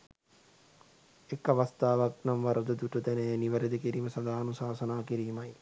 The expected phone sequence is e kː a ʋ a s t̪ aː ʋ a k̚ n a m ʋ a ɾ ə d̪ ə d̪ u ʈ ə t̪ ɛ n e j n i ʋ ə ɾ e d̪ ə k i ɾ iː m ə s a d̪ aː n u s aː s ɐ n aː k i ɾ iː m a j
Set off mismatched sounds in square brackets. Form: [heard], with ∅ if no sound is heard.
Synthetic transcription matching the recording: e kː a ʋ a s t̪ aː ʋ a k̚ n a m ʋ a ɾ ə d̪ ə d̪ u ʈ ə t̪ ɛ n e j n i ʋ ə ɾ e d̪ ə k i ɾ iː m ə s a d̪ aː n u s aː s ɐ n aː k i ɾ iː m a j